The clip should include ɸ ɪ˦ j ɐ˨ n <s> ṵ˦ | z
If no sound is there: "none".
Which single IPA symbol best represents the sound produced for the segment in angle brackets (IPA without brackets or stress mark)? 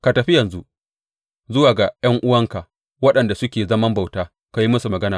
z